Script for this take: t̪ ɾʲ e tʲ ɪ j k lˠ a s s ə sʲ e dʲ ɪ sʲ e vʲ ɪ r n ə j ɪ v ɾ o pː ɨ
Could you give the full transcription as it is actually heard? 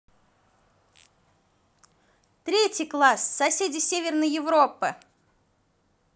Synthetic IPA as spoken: t̪ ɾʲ e tʲ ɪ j k lˠ a s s ɐ sʲ e dʲ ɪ sʲ e vʲ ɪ r n ə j ɪ v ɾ o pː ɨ